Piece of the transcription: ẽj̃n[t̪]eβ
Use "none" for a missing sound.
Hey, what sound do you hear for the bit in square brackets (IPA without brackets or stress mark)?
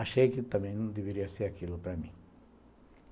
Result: d̪